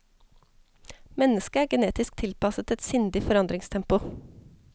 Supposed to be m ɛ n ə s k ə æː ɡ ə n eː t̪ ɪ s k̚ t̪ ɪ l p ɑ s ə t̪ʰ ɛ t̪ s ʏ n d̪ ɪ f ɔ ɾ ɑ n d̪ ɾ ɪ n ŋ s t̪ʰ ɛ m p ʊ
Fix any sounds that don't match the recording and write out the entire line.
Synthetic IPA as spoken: m ɛ n ə s k ə æː ɡ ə n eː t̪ ɪ s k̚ t̪ʰ ɪ l p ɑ s ə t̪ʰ ɛ t̪ s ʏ n d̪ ɪ f ɔ ɾ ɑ n d̪ ɾ ɪ ŋ s t̪ʰ ɛ m p ʊ

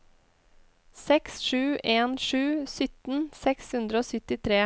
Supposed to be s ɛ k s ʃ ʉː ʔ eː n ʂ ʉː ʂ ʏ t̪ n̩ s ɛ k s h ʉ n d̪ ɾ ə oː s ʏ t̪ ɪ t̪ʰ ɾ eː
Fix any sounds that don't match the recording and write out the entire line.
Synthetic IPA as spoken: s ɛ k s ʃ ʉː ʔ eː n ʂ ʉː s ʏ t̪ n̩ s ɛ k s h ʉ n d̪ ɾ ə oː s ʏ t̪ ɪ t̪ʰ ɾ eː

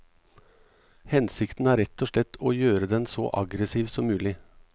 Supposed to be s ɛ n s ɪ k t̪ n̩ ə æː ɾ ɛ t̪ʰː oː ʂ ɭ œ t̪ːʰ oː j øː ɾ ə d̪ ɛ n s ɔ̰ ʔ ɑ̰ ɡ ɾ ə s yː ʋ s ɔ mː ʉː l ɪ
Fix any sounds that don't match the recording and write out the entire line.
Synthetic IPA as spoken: h ɛ n s ɪ k t̪ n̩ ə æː ɾ ɛ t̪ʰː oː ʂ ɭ ɛ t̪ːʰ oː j øː ɾ ə d̪ ɛ n s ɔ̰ ʔ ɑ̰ ɡ ɾ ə s iː ʋ s ɔ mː ʉː l ɪ

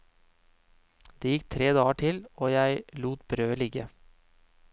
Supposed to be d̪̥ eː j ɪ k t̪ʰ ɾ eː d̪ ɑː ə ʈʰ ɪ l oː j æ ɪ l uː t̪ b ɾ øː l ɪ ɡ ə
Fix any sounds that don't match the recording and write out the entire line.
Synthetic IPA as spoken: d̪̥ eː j ɪ k t̪ʰ ɾ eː d̪ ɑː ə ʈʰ ɪ l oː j æ ɪ l uː t̪ b ɾ øː l ɪ ɡ ə

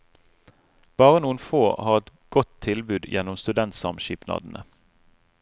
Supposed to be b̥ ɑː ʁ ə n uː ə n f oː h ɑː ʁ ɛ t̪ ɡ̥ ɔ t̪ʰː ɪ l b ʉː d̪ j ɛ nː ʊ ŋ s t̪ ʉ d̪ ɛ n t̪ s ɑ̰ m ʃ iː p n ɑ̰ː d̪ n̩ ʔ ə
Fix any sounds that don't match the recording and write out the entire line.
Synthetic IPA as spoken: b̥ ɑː ʁ ə n uː ə n f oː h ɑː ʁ ɛ t̪ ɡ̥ ɔ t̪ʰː ɪ l b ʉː d̪ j ɛ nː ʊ m s t̪ ʉ d̪ ɛ n t̪ s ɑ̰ m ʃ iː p n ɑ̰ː d̪ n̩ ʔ ə

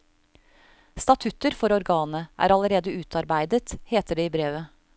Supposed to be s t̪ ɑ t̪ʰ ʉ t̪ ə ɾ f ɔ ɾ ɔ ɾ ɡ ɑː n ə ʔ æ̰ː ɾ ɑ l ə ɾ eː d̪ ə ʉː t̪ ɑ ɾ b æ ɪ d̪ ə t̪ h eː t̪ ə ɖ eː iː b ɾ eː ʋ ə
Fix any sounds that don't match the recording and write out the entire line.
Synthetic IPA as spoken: s t̪ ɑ t̪ʰ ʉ t̪ ə ɾ f ɔ ɾ ɔ ɾ ɡ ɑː n ə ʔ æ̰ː ɾ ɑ l ə ɾ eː d̪ ə ʉː t̪ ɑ ɾ b æ ɪ d̪ ə t̪ h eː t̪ ə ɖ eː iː b ɾ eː ʋ ə

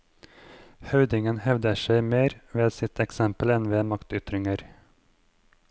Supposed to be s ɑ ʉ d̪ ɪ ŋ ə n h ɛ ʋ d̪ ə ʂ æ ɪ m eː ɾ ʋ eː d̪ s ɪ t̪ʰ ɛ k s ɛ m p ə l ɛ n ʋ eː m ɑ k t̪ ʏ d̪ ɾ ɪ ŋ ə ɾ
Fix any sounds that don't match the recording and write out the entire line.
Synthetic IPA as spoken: h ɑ ʉ d̪ ɪ ŋ ə n h ɛ ʋ d̪ ə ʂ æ ɪ m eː ɾ ʋ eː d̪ s ɪ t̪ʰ ɛ k s ɛ m p ə l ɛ n ʋ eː m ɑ k t̪ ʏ t̪ ɾ ɪ ŋ ə ɾ

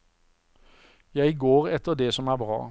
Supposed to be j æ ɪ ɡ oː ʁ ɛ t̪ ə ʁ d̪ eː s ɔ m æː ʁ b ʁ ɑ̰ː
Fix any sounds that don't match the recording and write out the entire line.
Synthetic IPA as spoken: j æ ɪ ɡ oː ʁ ɛ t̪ ə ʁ d̪ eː s ɔ m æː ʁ b ʁ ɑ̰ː

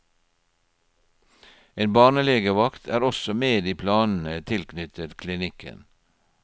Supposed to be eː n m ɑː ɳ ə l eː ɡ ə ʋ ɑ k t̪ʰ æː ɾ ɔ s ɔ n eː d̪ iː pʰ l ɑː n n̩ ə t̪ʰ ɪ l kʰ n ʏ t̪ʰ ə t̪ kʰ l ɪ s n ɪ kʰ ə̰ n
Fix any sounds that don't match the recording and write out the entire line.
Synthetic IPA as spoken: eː n b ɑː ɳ ə l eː ɡ ə ʋ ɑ k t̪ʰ æː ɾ ɔ s ɔ m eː d̪ iː pʰ l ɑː n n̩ ə t̪ʰ ɪ l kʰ n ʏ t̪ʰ ə t̪ kʰ l ɪ n ɪ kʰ ə̰ n

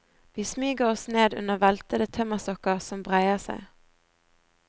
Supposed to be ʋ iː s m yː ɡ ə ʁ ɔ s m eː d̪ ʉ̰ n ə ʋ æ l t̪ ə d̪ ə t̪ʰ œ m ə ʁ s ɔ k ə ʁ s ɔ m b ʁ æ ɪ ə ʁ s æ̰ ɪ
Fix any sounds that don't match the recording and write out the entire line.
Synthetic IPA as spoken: ʋ iː s m yː ɡ ə ʁ ɔ s n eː d̪ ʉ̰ n ə ʋ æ l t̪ ə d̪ ə t̪ʰ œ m ə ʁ s ɔ k ə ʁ s ɔ m b ʁ æ ɪ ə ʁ s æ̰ ɪ

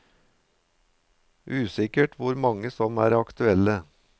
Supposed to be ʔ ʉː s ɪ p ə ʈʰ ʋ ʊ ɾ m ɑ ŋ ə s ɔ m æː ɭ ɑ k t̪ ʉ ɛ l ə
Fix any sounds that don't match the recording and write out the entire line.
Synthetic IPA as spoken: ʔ ʉː s ɪ k ə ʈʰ ʋ ʊ ɾ m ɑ ŋ ə s ɔ m æː ɾ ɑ k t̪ ʉ ɛ l ə

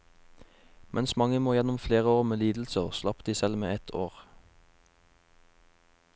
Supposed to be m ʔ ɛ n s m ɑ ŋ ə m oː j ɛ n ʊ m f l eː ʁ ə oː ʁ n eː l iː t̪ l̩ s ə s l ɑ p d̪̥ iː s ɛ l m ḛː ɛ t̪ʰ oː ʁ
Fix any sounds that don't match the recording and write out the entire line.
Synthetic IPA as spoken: m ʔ ɛ n s m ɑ ŋ ə m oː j ɛ n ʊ m f l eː ʁ ə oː ʁ m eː l iː d̪ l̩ s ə s l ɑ p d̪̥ iː s ɛ l m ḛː ɛ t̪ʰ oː ʁ

